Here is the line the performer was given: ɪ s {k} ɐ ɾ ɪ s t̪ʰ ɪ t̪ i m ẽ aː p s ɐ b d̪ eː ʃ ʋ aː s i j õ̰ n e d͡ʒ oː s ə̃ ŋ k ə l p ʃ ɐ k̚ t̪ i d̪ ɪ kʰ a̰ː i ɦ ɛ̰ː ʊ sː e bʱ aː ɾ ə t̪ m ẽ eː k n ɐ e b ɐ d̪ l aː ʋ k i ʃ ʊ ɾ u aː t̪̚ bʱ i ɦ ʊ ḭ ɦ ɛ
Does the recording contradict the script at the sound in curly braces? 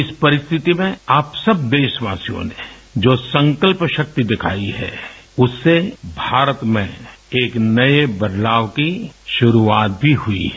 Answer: yes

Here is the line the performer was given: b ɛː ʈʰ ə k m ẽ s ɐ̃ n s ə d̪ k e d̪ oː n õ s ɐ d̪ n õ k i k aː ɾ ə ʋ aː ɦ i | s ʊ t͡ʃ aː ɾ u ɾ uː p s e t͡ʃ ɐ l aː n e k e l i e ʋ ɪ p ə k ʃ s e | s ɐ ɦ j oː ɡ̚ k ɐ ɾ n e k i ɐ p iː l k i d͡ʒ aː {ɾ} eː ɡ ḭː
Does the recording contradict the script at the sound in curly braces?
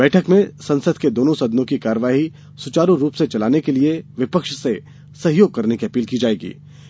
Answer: yes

